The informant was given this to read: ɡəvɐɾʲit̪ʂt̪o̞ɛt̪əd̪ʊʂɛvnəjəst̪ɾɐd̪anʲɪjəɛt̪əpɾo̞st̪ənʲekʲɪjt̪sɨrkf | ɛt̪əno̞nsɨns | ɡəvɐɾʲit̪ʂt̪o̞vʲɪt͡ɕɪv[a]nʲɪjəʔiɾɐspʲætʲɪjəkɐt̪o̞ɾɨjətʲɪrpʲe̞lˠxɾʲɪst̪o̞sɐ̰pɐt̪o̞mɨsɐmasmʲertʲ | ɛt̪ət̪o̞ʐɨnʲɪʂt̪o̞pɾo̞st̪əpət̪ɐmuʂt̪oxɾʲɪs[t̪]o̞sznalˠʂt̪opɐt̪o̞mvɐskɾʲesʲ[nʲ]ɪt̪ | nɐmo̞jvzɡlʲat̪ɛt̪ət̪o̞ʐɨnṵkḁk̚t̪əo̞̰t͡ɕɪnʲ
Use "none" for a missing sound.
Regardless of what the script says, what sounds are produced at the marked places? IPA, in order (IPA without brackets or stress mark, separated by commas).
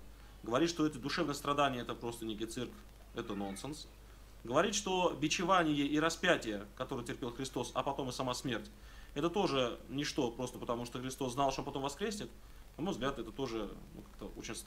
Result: a, t̪, nʲ